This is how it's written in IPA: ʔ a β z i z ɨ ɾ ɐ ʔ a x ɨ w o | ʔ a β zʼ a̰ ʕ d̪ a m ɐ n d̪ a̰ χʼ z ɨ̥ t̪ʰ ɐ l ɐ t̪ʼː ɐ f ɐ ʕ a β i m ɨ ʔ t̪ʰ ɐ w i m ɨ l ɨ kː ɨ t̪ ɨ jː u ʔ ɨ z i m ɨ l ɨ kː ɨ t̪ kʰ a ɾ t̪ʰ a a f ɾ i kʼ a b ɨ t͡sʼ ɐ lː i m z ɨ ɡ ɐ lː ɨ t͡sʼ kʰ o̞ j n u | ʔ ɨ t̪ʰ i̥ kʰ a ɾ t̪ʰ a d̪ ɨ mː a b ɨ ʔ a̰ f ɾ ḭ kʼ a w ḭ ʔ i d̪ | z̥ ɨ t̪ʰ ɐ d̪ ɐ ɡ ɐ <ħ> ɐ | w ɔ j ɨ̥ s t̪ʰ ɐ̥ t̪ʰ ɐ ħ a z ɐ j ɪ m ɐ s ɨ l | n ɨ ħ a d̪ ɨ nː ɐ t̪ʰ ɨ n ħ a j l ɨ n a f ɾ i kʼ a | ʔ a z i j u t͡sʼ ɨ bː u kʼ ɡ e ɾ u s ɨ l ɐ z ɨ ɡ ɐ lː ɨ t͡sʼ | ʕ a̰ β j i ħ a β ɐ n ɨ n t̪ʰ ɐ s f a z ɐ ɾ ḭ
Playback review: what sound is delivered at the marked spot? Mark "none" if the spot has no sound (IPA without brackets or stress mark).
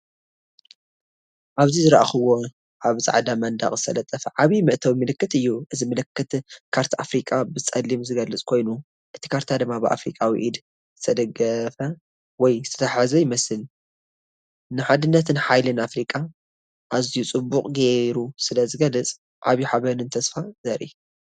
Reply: f